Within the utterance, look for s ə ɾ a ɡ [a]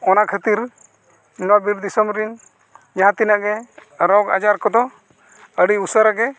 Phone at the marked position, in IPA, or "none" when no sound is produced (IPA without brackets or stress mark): ɛ